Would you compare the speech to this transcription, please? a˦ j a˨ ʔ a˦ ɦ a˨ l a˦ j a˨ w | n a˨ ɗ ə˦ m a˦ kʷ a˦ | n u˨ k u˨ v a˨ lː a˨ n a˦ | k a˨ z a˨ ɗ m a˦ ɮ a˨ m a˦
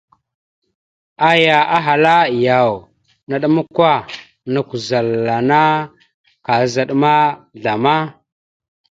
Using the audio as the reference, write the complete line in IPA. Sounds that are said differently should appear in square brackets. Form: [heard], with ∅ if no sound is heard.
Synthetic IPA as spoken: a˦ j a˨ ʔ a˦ ɦ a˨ l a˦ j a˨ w | n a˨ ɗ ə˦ m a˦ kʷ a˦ | n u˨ k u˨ [z] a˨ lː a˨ n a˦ | k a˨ z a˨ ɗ m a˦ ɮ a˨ m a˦